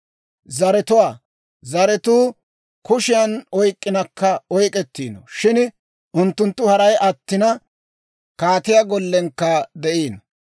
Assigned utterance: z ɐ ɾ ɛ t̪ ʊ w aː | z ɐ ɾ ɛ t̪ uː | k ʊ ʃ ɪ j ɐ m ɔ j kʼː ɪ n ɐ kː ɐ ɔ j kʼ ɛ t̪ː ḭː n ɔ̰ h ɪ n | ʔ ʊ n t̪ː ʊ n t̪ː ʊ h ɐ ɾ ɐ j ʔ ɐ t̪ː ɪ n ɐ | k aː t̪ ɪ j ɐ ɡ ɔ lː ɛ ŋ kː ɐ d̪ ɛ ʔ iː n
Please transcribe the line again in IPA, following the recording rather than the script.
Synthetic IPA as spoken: z ɐ ɾ ɛ t̪ ʊ w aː | z ɐ ɾ ɛ t̪ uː | k ʊ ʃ ɪ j ɐ n ɔ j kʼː ɪ n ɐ kː ɐ ɔ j kʼ ɛ t̪ː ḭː n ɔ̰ ʃ ɪ n | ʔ ʊ n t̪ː ʊ n t̪ː ʊ h ɐ ɾ ɐ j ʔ ɐ t̪ː ɪ n ɐ | k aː t̪ ɪ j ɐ ɡ ɔ lː ɛ ŋ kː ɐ d̪ ɛ ʔ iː n